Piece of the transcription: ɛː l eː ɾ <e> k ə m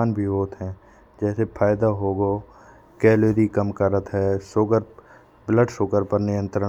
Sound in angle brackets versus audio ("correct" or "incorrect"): incorrect